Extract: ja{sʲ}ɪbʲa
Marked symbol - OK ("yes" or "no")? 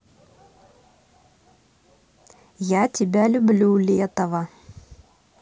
no